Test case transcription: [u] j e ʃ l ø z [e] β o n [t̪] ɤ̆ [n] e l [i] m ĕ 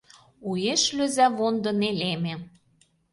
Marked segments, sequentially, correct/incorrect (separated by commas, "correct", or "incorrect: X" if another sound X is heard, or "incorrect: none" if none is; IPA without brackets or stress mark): correct, incorrect: æ, incorrect: d̪, correct, incorrect: e